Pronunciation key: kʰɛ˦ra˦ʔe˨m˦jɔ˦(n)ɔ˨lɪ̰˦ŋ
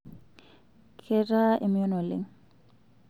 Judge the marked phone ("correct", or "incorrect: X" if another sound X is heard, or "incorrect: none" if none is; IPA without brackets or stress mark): correct